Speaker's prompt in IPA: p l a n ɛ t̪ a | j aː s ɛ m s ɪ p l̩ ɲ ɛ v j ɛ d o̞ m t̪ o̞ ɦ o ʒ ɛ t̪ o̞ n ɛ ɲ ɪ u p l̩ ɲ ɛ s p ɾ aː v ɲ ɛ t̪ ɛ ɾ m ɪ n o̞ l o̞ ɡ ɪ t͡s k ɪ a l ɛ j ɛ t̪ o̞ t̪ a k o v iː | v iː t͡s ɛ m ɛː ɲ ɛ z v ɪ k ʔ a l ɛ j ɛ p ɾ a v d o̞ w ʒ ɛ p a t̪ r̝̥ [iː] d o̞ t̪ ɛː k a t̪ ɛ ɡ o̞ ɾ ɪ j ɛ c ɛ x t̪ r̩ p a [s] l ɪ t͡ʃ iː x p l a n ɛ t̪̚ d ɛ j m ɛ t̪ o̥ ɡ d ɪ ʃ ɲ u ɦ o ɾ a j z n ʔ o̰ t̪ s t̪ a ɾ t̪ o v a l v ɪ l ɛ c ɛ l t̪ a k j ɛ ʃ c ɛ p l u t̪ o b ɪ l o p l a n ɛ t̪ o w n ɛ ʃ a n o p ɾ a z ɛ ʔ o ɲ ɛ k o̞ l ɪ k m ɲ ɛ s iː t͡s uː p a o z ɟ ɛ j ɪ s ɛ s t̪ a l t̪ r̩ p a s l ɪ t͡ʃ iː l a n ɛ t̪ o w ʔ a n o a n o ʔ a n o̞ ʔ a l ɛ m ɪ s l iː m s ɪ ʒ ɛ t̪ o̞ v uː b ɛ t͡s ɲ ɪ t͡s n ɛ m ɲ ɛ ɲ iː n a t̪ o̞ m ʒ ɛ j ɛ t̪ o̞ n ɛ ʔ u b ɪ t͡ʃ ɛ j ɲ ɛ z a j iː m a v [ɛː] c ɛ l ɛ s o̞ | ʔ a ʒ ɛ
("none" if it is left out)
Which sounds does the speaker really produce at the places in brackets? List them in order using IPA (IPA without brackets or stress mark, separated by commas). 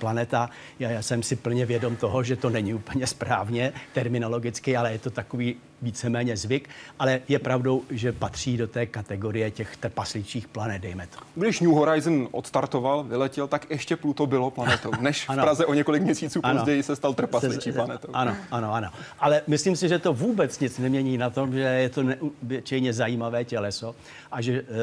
iː, s, ɛː